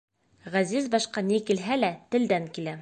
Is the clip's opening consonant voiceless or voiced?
voiced